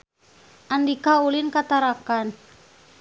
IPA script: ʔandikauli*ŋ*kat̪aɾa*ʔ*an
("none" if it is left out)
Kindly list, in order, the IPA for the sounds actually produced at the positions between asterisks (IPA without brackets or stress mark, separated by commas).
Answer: n, k